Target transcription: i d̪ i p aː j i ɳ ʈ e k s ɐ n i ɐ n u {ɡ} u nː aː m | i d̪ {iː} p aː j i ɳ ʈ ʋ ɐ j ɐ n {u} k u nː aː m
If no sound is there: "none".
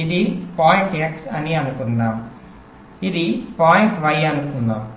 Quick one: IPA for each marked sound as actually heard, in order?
k, i, u

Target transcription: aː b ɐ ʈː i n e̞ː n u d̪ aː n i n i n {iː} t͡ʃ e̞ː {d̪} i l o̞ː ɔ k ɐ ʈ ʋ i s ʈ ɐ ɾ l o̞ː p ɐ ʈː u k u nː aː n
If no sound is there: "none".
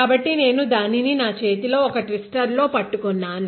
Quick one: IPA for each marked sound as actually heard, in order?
aː, t̪

